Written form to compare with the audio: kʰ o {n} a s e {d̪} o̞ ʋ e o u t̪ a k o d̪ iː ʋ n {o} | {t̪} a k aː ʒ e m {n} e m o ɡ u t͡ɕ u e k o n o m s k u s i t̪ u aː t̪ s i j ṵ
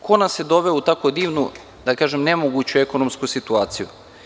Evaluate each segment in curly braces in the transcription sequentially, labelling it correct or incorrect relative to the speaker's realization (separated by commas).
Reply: correct, correct, incorrect, incorrect, correct